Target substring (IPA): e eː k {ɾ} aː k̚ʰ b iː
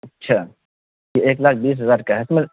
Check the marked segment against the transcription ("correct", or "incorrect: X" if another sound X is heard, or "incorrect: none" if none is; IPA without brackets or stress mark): incorrect: l